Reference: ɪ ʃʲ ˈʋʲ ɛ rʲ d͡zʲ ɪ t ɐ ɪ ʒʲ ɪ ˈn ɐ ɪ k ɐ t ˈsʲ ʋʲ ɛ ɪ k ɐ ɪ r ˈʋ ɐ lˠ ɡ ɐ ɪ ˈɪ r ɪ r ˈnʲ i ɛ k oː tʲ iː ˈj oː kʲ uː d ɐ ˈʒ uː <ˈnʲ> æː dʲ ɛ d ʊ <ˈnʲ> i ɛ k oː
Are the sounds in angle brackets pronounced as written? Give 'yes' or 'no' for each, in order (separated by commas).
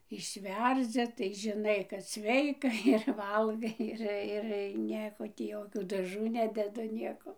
yes, yes